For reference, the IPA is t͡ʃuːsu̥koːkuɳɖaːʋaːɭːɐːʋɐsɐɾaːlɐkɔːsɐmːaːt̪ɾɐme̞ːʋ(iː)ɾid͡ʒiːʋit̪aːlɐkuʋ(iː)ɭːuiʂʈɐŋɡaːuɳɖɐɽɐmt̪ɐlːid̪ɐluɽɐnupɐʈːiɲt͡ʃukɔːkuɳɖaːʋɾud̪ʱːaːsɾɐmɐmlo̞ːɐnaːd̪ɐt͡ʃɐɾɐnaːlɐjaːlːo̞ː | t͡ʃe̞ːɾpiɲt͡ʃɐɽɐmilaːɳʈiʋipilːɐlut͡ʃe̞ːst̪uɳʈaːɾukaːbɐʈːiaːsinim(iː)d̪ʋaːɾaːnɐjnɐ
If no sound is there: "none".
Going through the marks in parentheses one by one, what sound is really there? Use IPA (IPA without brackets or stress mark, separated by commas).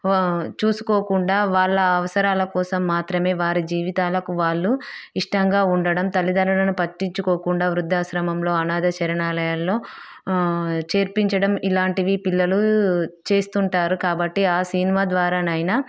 aː, aː, aː